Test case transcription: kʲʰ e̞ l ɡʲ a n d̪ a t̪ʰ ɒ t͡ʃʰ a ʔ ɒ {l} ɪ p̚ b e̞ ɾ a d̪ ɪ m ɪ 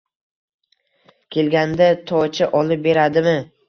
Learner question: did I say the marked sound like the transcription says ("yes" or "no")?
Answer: yes